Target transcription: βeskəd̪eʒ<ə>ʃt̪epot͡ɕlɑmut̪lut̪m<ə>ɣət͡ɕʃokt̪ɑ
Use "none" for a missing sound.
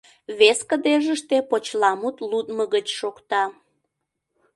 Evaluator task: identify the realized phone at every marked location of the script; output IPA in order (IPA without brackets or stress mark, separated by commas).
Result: ə, ə